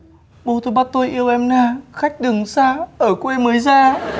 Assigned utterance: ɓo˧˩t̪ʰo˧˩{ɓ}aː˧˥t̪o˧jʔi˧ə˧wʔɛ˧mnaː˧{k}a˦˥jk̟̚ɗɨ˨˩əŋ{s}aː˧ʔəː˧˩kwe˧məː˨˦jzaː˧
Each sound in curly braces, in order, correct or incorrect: correct, incorrect: x, correct

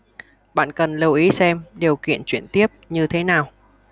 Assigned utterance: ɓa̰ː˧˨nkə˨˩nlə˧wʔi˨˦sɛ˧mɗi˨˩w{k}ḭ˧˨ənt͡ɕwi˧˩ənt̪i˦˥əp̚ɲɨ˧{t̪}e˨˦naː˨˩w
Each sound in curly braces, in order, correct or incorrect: correct, incorrect: t̪ʰ

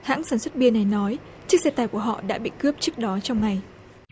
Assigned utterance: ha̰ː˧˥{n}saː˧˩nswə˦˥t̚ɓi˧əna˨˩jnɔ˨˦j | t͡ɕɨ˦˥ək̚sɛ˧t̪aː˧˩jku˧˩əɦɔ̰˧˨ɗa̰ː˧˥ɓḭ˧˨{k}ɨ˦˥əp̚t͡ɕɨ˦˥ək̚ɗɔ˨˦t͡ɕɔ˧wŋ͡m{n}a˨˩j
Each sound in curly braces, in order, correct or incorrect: incorrect: ŋ, correct, incorrect: ŋ

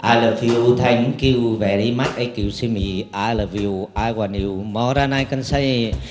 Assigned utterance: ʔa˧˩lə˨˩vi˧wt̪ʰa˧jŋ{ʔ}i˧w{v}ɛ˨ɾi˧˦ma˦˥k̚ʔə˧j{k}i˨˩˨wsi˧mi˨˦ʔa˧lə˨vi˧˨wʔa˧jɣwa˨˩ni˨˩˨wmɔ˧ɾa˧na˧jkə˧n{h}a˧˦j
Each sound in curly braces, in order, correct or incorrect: incorrect: k, correct, correct, incorrect: s

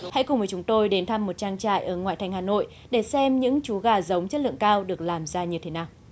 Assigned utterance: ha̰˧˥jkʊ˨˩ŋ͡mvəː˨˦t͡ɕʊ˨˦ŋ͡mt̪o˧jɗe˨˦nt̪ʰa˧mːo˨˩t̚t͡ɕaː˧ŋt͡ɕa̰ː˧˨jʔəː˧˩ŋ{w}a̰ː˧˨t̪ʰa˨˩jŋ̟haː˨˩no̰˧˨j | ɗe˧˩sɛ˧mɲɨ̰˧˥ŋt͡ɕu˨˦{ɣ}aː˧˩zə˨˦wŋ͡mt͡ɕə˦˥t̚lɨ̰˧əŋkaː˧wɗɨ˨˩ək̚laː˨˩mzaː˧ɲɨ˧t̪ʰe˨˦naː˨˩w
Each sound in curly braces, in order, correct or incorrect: correct, correct

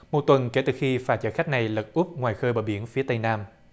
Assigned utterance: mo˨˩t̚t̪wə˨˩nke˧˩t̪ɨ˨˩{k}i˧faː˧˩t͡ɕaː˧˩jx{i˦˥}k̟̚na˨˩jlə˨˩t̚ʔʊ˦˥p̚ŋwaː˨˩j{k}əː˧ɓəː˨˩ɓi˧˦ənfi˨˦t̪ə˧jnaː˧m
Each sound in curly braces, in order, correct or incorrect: incorrect: x, incorrect: a˦˥, incorrect: x

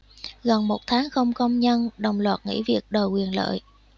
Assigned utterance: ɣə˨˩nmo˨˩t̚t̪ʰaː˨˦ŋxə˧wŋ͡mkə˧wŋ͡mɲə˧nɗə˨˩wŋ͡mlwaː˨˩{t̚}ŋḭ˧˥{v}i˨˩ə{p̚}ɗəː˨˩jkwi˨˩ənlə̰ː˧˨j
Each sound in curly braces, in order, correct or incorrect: correct, correct, incorrect: k̚

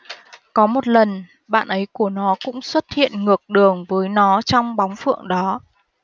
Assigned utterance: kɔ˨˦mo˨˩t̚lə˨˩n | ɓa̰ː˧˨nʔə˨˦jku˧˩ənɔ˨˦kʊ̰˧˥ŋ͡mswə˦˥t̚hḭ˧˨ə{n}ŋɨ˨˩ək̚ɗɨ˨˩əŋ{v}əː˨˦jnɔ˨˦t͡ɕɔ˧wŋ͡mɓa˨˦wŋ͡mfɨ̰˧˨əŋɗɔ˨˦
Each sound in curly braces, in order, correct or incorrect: correct, correct

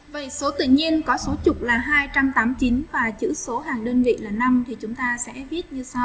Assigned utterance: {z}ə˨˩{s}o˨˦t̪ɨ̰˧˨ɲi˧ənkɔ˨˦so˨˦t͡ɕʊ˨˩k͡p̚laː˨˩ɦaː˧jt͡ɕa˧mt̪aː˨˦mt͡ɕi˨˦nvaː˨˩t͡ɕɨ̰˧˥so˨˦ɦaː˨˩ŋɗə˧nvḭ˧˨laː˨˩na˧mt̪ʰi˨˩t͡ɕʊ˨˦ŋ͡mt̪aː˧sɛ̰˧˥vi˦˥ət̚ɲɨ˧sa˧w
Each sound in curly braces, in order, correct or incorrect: incorrect: v, correct

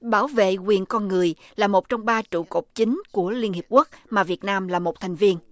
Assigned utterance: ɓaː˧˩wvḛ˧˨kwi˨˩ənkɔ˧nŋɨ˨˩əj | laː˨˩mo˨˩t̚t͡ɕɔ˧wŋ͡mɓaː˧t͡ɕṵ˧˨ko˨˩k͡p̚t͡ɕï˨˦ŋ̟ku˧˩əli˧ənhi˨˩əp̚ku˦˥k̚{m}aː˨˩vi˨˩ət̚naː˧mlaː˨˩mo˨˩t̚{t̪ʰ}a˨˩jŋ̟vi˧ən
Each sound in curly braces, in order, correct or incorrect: correct, correct

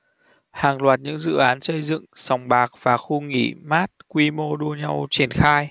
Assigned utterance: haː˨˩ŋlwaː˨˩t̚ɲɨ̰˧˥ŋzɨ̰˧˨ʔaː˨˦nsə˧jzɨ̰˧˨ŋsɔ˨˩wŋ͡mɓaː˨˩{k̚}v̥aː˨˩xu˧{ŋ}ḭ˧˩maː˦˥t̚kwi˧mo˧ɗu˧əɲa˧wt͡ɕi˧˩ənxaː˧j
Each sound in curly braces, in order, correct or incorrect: correct, correct

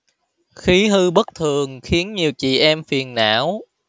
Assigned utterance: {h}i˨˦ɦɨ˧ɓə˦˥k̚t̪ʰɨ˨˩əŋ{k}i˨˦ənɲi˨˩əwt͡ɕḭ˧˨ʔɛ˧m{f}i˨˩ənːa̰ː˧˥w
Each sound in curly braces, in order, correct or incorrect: incorrect: x, incorrect: x, correct

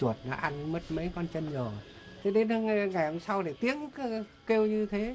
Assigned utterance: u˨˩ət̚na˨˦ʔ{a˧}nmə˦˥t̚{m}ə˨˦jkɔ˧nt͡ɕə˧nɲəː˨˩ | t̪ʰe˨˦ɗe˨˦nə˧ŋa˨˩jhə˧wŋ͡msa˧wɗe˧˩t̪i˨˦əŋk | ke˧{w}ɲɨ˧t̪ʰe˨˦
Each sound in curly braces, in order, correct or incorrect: correct, correct, correct

